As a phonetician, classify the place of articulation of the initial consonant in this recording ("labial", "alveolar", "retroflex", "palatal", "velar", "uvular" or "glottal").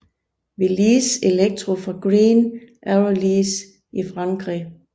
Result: labial